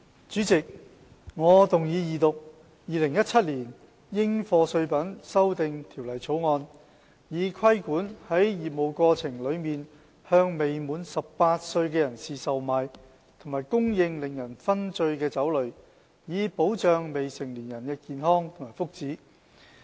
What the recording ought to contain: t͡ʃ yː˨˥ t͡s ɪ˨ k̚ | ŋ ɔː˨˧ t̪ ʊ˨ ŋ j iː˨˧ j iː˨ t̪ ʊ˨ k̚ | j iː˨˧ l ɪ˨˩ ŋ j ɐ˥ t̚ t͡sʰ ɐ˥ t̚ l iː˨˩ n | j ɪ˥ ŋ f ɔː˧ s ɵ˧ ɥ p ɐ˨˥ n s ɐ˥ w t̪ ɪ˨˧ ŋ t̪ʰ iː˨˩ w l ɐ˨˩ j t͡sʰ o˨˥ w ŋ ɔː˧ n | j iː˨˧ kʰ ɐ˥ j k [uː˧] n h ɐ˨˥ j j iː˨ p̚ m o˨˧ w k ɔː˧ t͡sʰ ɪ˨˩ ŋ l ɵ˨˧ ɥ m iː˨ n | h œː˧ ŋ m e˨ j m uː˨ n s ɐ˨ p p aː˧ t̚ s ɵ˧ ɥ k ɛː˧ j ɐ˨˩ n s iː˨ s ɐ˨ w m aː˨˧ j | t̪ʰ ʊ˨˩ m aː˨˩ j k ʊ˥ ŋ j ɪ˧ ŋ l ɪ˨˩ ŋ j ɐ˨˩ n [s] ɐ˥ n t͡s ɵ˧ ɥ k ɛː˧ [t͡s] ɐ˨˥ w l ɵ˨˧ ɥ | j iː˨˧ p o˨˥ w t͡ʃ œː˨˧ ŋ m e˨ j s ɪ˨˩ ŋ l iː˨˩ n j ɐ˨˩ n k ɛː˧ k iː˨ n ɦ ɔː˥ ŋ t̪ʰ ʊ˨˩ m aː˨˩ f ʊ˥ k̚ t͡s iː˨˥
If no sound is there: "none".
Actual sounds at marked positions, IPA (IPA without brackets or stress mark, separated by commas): uː˨˥, f, t͡s